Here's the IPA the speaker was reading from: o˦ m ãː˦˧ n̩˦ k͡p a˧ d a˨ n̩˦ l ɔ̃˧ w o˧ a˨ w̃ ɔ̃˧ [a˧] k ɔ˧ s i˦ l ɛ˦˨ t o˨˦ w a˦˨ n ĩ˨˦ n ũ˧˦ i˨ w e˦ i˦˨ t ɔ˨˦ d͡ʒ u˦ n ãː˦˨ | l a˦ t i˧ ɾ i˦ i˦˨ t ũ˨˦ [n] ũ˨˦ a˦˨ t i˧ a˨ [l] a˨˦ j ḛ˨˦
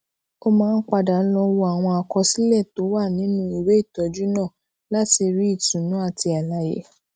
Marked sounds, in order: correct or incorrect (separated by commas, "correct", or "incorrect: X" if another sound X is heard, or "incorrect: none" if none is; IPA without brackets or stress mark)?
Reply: correct, correct, correct